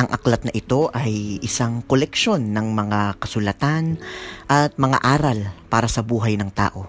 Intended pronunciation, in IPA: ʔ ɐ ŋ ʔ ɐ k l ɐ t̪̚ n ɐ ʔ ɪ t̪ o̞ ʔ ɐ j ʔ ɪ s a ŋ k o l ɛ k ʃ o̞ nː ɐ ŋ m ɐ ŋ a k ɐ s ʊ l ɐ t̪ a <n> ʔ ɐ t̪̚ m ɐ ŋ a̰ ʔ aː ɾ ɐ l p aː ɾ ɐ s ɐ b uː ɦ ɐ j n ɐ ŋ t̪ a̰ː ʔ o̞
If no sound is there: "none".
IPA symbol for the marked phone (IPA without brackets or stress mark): n